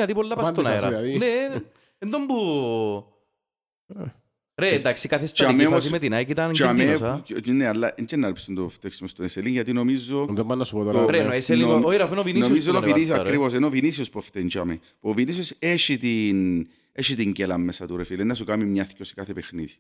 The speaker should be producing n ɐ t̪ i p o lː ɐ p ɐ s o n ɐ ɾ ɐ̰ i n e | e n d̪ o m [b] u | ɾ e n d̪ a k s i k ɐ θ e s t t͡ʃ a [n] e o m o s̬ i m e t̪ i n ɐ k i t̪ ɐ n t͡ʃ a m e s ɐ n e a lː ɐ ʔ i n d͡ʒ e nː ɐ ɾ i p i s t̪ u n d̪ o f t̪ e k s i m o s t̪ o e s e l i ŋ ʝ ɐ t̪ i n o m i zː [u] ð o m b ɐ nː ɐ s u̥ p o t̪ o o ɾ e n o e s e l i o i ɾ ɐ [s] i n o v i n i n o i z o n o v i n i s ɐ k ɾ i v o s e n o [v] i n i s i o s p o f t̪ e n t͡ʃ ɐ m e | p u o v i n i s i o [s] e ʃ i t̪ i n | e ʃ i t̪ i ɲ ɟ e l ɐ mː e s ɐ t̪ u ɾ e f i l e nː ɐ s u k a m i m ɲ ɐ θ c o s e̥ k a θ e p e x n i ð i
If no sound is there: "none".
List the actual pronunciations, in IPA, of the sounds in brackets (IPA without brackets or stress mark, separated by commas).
b, m, o, f, v, s